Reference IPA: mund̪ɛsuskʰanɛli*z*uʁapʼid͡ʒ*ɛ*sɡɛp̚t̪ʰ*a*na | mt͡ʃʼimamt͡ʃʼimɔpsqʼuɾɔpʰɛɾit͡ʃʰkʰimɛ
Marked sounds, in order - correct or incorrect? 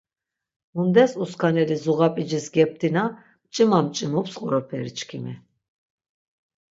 correct, incorrect: i, incorrect: i

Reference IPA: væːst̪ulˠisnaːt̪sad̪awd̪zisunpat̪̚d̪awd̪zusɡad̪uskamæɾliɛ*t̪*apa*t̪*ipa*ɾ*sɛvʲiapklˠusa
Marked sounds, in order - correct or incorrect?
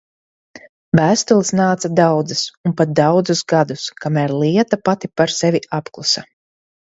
correct, correct, correct

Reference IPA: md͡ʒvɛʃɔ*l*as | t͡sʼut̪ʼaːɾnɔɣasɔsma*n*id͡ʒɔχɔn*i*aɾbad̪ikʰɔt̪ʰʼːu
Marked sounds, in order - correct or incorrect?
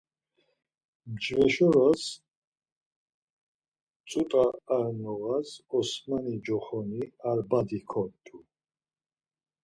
incorrect: ɾ, correct, correct

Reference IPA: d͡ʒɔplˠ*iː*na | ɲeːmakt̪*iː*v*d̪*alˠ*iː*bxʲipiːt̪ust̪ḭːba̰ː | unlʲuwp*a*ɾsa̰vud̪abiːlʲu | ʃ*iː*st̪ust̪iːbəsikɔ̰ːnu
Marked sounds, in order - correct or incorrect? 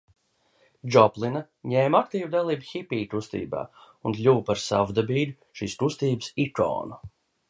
incorrect: i, correct, correct, correct, correct, correct

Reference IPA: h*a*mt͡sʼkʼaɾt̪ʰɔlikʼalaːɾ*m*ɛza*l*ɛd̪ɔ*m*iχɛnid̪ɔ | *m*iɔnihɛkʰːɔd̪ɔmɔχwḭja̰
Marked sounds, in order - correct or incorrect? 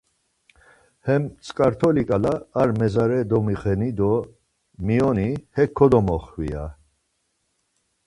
incorrect: ɛ, correct, incorrect: ɾ, correct, correct

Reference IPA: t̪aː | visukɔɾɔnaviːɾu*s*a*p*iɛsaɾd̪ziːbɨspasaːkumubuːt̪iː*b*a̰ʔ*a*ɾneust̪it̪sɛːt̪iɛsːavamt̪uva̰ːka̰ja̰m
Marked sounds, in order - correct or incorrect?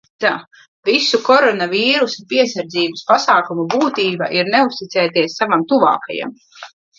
correct, correct, correct, incorrect: i

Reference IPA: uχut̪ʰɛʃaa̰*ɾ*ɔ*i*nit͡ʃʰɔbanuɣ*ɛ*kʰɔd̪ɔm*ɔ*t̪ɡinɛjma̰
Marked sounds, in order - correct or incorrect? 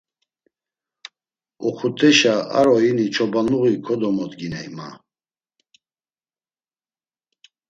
correct, correct, incorrect: i, correct

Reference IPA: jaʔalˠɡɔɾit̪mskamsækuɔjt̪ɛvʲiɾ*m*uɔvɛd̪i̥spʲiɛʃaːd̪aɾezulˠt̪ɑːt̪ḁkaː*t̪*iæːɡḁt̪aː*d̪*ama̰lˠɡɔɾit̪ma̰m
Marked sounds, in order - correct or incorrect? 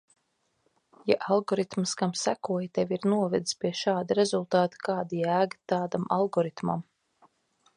incorrect: n, incorrect: d̪, correct

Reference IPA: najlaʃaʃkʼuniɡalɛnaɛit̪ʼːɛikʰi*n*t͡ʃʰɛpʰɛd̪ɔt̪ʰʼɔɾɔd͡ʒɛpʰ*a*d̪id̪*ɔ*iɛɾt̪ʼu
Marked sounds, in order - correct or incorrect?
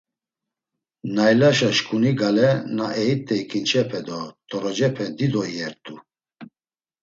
correct, incorrect: ɛ, correct

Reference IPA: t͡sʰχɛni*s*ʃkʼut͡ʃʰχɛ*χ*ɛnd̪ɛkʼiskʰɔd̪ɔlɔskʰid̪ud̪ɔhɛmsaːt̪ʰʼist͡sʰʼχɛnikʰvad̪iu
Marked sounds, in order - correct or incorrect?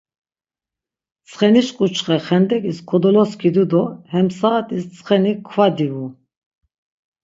incorrect: none, correct

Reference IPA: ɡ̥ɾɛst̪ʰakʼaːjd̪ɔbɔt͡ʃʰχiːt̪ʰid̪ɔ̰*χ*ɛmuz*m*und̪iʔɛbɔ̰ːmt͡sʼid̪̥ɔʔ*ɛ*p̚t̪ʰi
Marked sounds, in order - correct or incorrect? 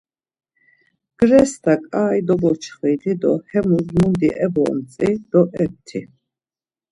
incorrect: h, correct, correct

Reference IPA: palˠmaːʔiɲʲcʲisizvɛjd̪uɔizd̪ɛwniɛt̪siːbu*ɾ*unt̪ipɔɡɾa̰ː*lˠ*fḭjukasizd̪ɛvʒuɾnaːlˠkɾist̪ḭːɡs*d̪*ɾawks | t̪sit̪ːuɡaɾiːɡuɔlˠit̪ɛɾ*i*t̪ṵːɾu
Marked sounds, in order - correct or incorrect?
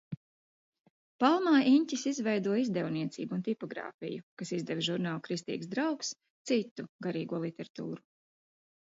incorrect: none, incorrect: none, correct, incorrect: a

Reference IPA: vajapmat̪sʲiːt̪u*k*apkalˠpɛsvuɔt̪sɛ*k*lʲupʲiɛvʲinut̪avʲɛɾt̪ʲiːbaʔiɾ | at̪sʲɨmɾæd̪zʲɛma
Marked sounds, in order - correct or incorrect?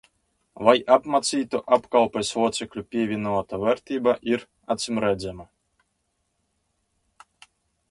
incorrect: ʔ, correct

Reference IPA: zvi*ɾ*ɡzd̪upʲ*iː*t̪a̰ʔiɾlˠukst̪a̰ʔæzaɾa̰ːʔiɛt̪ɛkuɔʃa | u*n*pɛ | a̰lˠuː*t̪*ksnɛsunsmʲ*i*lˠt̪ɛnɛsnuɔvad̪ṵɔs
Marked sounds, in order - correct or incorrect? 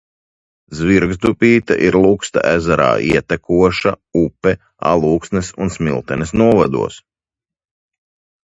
correct, correct, incorrect: none, incorrect: none, correct

